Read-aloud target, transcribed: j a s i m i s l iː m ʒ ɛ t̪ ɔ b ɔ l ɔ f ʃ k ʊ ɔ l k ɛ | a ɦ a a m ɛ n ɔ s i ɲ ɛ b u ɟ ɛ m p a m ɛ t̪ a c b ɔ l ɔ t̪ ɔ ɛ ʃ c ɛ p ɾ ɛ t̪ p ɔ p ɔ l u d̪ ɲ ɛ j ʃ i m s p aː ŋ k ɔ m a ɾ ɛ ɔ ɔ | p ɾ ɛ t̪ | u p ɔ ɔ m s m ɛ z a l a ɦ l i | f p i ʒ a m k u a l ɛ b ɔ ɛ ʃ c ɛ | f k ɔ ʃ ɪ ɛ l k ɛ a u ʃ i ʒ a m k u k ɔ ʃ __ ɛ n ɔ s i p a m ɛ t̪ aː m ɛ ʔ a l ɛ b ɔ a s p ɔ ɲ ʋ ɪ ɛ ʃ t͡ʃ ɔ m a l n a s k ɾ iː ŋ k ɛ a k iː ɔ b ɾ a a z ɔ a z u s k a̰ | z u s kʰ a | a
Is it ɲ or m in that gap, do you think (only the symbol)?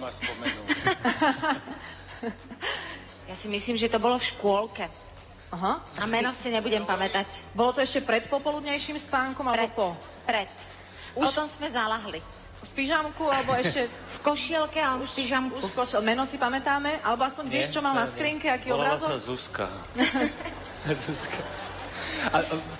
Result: m